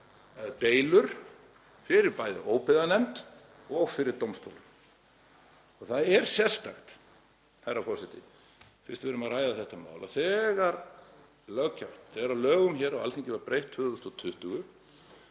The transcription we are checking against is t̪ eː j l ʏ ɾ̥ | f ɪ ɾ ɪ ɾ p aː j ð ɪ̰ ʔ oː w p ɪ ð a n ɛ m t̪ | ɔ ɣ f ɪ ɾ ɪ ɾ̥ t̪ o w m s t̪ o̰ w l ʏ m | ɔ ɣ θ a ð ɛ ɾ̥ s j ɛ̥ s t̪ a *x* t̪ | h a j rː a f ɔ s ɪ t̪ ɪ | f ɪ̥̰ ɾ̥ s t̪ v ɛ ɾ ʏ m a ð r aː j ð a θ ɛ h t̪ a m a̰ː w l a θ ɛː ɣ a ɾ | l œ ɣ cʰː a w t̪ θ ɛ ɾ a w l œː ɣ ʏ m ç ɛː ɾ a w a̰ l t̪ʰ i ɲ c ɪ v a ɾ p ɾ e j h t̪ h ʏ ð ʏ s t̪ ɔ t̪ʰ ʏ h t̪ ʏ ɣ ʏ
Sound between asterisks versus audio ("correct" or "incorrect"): correct